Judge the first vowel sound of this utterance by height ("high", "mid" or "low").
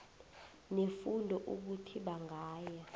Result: mid